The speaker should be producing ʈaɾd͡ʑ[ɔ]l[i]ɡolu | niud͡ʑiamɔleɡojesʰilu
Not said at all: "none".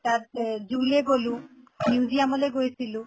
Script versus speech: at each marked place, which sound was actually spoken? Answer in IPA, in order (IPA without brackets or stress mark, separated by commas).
u, e